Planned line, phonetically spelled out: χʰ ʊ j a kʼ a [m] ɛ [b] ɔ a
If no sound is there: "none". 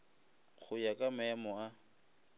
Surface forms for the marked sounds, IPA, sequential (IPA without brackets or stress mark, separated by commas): m, m